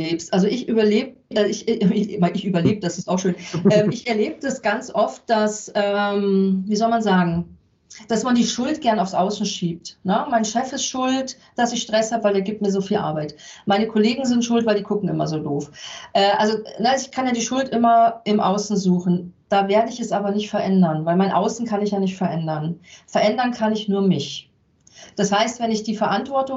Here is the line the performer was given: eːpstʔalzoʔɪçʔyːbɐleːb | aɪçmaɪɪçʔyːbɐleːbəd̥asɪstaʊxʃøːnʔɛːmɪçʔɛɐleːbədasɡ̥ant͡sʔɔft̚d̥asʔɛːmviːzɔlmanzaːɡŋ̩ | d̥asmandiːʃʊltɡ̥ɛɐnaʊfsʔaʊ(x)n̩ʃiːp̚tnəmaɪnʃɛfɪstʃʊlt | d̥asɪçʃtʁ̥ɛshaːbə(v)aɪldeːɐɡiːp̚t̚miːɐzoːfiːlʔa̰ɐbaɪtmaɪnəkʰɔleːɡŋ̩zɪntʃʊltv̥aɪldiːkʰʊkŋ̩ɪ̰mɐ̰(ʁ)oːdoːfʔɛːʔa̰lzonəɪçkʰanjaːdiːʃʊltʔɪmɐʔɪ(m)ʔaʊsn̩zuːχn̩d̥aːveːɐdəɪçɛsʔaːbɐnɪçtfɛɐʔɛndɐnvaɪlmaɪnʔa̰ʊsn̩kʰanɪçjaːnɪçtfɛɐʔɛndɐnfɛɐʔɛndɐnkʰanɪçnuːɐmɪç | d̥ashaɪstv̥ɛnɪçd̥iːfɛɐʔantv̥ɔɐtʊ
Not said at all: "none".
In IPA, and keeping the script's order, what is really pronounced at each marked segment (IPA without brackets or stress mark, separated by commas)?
s, v, z, m